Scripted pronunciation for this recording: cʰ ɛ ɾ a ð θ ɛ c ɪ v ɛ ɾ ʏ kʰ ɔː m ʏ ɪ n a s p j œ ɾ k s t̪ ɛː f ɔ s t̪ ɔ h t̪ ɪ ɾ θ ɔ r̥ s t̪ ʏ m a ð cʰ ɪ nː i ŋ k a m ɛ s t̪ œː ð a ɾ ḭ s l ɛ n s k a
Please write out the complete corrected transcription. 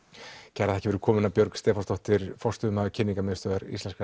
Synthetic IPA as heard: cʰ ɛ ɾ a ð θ ɛ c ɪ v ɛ ɾ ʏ kʰ ɔː m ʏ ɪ n a p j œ ɾ k s t̪ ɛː f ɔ s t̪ ɔ h t̪ ɪ ɾ f ɔ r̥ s t̪ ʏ m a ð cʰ ɪ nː i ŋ k a m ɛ s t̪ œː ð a ɾ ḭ s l ɛ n s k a